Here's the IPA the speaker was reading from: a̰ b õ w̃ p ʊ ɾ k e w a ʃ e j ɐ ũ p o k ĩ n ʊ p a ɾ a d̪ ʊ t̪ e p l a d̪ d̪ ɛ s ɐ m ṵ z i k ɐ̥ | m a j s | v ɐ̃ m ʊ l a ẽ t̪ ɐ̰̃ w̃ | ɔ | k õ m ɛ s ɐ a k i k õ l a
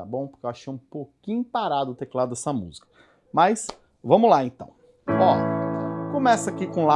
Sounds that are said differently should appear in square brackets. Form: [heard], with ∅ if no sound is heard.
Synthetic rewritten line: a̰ b õ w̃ p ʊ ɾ k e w a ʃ e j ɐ ũ p o k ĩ [ɲ] ʊ p a ɾ a d̪ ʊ t̪ e [k] l a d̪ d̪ ɛ s ɐ m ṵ z i k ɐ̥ | m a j s | v ɐ̃ m ʊ l a ẽ t̪ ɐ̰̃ w̃ | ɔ | k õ m ɛ s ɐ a k i k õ l a

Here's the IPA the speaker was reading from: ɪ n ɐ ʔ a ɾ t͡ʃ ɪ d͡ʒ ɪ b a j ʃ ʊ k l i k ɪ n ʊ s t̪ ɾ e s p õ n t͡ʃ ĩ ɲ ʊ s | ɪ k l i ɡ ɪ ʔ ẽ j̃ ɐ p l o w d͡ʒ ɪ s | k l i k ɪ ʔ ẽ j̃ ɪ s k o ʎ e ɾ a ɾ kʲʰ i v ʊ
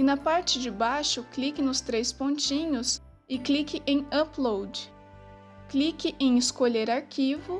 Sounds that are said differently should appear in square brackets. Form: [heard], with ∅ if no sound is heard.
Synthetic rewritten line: ɪ n ɐ [p] a ɾ t͡ʃ ɪ d͡ʒ ɪ b a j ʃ ʊ k l i k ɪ n ʊ s t̪ ɾ e s p õ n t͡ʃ ĩ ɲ ʊ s | ɪ k l i [k] ɪ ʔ ẽ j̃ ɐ p l o w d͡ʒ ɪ [∅] | k l i k ɪ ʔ ẽ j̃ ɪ s k o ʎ e ɾ a ɾ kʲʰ i v ʊ

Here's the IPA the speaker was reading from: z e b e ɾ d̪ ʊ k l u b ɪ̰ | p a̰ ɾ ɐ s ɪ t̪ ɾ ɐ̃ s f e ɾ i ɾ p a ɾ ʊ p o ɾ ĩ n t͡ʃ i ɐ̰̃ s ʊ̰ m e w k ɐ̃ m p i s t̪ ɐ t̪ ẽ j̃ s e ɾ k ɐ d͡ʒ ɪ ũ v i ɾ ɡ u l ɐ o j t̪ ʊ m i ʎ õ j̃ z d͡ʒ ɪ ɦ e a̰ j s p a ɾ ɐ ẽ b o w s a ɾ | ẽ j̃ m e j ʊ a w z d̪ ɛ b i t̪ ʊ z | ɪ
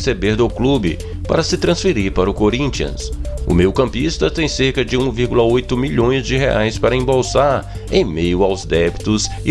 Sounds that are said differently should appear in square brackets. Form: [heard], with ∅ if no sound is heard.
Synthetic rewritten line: [s] e b e ɾ d̪ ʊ k l u b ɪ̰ | p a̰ ɾ ɐ s ɪ t̪ ɾ ɐ̃ s f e ɾ i ɾ p a ɾ ʊ [k] o ɾ ĩ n t͡ʃ i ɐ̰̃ s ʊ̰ m e w k ɐ̃ m p i s t̪ ɐ t̪ ẽ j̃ s e ɾ k ɐ d͡ʒ ɪ ũ v i ɾ ɡ u l ɐ o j t̪ ʊ m i ʎ õ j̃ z d͡ʒ ɪ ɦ e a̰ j s p a ɾ ɐ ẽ b o w s a ɾ | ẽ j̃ m e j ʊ a w z d̪ ɛ b i t̪ ʊ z | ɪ

